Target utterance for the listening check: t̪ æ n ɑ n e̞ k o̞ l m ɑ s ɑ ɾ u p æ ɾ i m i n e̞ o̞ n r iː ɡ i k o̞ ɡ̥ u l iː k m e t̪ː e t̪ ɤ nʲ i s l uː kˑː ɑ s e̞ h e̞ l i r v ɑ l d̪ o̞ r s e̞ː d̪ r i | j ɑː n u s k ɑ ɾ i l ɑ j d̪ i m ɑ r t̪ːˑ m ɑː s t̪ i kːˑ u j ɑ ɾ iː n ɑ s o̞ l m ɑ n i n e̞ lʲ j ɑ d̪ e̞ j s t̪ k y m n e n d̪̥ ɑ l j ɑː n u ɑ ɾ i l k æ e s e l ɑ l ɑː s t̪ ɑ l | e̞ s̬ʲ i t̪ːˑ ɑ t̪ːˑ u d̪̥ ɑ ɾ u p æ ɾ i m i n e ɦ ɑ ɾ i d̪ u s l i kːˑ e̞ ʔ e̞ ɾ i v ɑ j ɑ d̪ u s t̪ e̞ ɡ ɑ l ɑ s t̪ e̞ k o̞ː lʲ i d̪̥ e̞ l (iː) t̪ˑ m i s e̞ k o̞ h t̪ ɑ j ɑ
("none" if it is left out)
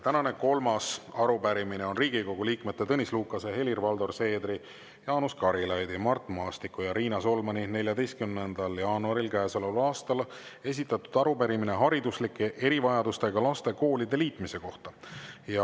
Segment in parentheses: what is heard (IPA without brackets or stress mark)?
iː